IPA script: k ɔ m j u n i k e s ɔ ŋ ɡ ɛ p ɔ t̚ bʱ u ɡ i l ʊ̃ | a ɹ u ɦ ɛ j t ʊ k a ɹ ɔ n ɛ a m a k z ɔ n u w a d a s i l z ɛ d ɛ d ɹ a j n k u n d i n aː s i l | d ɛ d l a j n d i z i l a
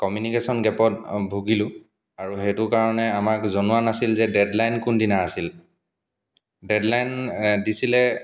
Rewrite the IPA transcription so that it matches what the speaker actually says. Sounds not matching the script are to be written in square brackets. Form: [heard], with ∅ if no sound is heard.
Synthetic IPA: k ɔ m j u n i k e s ɔ [n] ɡ ɛ p ɔ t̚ bʱ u ɡ i l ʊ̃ | a ɹ u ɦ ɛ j t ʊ k a ɹ ɔ n ɛ a m a k z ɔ n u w a [n] a s i l z ɛ d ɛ d [l] a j n k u n d i n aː s i l | d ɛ d l a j n d i [s] i l [ɛ]

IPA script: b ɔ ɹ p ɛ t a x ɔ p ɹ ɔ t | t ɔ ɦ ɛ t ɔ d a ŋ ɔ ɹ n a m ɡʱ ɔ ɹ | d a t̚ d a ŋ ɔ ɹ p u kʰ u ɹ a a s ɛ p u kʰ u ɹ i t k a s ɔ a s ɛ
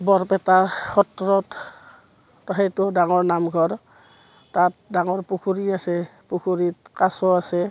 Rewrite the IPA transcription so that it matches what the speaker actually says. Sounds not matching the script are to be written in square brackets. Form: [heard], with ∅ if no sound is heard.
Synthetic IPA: b ɔ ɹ p ɛ t a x ɔ [t] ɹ ɔ t | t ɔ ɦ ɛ t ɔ d a ŋ ɔ ɹ n a m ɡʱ ɔ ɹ | [t] a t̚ d a ŋ ɔ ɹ p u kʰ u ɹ [i] a s ɛ p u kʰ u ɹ i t k a s ɔ a s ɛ

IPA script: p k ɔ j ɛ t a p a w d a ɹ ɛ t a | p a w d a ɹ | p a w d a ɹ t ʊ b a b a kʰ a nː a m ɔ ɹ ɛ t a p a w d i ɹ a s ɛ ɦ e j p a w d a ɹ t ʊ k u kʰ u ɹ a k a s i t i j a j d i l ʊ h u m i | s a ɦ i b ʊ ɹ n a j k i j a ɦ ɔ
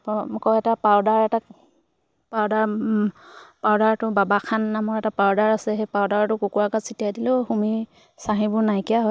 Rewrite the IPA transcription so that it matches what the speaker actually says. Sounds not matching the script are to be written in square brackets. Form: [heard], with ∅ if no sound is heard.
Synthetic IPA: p k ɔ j ɛ t a p a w d a ɹ ɛ t a | p a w d a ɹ | p a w d a ɹ t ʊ b a b a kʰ a nː a m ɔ ɹ ɛ t a p a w d [a] ɹ a s ɛ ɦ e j p a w d a ɹ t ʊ k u [k] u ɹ a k a s i t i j a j d i l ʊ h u m i | s a ɦ i b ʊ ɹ n a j k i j a ɦ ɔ

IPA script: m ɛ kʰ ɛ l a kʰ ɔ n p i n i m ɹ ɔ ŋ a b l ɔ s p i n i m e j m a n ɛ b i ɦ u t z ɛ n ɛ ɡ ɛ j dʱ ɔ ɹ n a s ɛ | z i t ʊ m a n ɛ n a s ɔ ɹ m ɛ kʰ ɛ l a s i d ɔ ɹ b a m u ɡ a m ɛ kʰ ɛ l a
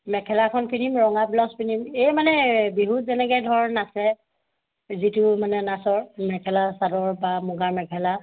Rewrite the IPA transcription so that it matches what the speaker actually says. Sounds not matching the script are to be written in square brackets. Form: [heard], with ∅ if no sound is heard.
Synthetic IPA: m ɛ kʰ ɛ l a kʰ ɔ n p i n i m ɹ ɔ ŋ a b l ɔ s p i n i m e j m a n ɛ b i ɦ u t z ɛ n ɛ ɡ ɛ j dʱ ɔ ɹ n a s ɛ | z i t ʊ m a n ɛ n a s ɔ ɹ m ɛ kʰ ɛ l a s [a] d ɔ ɹ b a m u ɡ a m ɛ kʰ ɛ l a

